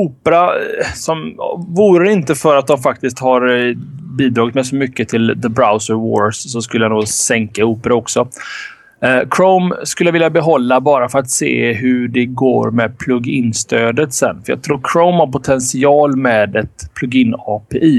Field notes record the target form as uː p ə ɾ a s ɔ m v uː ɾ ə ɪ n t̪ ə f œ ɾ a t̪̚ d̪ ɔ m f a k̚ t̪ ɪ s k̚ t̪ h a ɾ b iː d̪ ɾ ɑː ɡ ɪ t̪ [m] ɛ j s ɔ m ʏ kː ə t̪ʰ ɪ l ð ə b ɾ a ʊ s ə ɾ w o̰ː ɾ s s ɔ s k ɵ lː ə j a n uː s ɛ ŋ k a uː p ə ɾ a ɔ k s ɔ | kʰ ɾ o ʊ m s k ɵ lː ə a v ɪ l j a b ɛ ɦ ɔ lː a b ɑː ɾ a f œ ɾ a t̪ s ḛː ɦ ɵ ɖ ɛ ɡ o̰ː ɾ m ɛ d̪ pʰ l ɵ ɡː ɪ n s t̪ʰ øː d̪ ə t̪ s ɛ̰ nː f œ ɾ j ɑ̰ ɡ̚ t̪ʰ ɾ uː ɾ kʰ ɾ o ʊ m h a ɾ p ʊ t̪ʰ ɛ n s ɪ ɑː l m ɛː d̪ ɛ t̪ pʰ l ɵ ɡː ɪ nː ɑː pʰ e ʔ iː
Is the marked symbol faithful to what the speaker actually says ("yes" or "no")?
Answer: yes